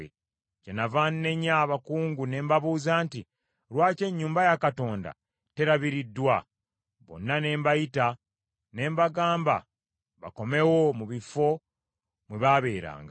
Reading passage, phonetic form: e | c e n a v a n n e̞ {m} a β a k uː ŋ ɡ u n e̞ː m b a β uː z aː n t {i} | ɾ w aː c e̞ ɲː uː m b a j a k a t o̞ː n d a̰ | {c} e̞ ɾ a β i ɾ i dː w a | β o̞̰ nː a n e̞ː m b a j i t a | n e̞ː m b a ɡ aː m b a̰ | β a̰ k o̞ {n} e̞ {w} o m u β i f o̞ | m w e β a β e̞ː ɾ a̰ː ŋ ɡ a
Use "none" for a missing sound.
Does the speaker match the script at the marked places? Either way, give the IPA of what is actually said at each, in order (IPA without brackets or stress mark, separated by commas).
ɲ, i, t, m, w